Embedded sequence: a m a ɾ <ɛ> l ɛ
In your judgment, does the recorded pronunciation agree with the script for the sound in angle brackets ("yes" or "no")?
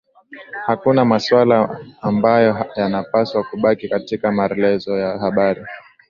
yes